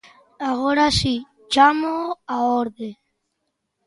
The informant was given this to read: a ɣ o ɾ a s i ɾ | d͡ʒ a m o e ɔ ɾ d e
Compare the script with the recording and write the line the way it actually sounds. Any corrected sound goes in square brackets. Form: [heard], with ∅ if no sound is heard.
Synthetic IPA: a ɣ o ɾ a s i [∅] | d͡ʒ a m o [a] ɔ ɾ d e

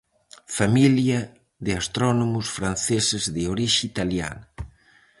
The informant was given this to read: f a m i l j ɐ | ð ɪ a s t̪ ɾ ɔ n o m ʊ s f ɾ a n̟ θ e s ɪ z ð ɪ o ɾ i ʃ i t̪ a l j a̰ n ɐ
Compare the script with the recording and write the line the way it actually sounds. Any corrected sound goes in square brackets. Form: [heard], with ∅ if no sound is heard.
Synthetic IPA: f a m i l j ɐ | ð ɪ a s t̪ ɾ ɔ n o m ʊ s f ɾ a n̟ θ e s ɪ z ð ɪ o ɾ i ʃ i t̪ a l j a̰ n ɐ

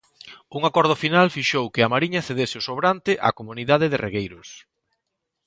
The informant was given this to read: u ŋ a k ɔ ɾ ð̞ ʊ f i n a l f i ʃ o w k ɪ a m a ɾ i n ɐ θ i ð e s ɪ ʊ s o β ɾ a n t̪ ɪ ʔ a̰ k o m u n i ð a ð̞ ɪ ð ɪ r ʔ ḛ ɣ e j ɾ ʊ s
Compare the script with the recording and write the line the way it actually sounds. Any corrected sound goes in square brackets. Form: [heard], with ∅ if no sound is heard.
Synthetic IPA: u ŋ a k ɔ ɾ ð̞ ʊ f i n a l f i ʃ o w k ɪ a m a ɾ i [ɲ] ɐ θ [e] ð e s ɪ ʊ s o β ɾ a n t̪ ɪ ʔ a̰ k o m u n i ð a ð̞ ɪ ð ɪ r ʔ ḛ ɣ e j ɾ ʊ s

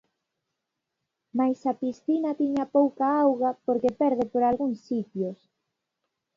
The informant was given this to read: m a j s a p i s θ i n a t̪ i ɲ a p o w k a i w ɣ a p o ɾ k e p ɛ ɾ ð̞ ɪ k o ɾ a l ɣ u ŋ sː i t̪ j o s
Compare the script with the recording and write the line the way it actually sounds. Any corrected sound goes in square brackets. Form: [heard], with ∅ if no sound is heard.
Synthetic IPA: m a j s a p i s θ i n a t̪ i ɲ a p o w k a [a] w ɣ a p o ɾ k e p ɛ ɾ ð̞ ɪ [p] o ɾ a l ɣ u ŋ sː i t̪ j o s

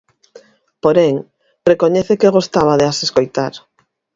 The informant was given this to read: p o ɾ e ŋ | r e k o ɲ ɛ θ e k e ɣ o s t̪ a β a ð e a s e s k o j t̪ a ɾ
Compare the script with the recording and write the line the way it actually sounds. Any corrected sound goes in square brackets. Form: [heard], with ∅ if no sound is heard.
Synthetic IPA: p o ɾ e ŋ | r e k o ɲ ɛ θ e k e ɣ o s t̪ a β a ð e a s e s k o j t̪ a ɾ

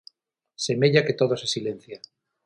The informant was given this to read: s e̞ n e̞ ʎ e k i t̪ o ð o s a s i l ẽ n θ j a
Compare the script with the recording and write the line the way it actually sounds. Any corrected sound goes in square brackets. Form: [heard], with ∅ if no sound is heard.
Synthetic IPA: s e̞ [m] e̞ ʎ [a] k [e] t̪ o ð o s [e] s i l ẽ n θ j a

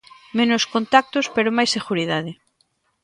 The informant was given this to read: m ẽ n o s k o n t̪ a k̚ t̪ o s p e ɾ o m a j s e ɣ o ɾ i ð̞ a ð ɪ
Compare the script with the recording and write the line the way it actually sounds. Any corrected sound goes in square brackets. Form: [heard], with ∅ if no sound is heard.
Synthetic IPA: m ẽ n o s k o n t̪ a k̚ t̪ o s p e ɾ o m a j s e ɣ [u] ɾ i ð̞ a ð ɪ

